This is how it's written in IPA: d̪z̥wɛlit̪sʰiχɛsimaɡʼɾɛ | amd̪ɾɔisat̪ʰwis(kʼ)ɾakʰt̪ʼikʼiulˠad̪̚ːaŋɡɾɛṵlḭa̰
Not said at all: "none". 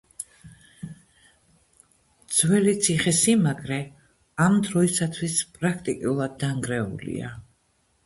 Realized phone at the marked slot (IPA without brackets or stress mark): pʼ